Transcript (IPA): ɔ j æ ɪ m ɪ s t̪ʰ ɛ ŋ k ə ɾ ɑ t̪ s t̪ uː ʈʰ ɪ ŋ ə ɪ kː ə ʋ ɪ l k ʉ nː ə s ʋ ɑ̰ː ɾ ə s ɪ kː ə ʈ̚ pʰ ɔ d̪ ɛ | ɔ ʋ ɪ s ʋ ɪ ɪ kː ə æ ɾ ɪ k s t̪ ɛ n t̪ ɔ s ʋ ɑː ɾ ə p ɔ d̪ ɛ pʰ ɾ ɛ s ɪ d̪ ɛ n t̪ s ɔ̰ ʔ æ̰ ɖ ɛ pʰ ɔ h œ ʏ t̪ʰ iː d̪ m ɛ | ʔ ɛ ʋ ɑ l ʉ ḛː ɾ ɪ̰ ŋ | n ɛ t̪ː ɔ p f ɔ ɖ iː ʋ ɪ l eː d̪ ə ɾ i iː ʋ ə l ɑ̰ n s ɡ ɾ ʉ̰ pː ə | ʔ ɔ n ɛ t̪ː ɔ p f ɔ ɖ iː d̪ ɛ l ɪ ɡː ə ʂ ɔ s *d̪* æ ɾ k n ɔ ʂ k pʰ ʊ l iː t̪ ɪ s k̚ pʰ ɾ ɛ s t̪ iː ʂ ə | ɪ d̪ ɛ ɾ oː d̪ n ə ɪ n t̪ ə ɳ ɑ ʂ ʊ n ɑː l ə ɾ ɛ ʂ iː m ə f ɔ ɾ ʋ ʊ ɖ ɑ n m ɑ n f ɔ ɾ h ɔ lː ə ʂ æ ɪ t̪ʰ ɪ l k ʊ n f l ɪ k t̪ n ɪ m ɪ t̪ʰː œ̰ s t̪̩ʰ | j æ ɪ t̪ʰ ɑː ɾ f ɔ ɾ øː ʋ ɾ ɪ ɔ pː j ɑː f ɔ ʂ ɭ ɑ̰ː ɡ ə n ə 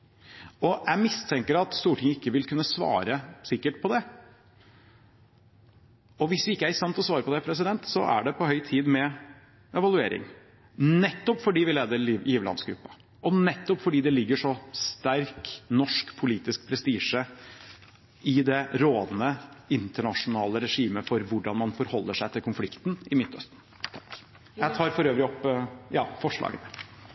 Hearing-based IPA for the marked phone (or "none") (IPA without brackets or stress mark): t̪